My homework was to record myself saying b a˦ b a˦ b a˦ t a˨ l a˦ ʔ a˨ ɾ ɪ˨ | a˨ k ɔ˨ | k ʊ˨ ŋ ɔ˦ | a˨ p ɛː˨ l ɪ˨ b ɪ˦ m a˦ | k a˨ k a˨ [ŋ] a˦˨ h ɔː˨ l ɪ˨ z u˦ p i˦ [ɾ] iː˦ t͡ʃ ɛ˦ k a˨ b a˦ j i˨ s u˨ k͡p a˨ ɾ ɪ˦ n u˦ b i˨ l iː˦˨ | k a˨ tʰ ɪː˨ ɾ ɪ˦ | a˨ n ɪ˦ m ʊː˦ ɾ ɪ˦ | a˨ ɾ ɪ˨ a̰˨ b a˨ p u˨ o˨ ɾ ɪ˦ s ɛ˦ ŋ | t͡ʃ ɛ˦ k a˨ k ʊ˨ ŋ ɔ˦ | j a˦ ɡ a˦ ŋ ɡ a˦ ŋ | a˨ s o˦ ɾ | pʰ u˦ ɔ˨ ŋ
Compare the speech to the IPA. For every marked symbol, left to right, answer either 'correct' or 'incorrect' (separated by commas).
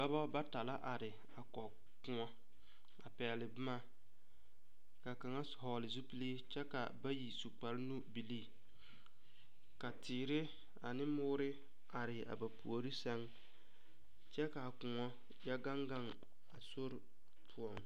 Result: correct, incorrect